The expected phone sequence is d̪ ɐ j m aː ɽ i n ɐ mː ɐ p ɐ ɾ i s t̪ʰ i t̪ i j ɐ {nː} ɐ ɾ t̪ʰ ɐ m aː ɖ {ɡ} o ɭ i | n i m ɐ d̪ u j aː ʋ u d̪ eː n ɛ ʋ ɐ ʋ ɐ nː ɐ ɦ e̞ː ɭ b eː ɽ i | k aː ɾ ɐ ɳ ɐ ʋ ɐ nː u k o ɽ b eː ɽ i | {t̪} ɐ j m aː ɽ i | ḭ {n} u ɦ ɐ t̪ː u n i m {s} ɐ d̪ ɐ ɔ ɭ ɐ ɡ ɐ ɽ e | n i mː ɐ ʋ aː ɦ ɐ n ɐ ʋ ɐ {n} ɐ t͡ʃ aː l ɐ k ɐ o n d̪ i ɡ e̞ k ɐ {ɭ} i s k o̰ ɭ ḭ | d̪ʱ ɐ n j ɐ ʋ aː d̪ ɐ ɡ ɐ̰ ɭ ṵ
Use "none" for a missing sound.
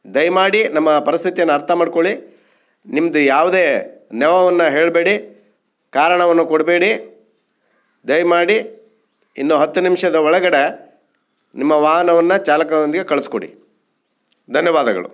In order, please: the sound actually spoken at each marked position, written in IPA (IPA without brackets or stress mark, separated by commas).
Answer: nː, k, d̪, nː, ʂ, nː, ɭ